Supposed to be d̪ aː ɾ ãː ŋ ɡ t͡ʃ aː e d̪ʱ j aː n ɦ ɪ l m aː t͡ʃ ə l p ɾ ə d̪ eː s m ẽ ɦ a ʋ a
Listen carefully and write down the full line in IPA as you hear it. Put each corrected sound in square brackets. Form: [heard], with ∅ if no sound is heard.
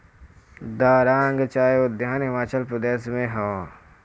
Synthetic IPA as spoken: d̪ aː ɾ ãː ŋ ɡ t͡ʃ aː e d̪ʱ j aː n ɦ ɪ [∅] m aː t͡ʃ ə l p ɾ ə d̪ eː s m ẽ ɦ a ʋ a